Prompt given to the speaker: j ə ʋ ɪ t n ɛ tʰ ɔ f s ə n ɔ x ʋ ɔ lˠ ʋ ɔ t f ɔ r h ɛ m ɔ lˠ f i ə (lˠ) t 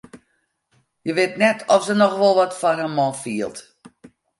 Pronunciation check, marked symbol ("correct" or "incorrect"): correct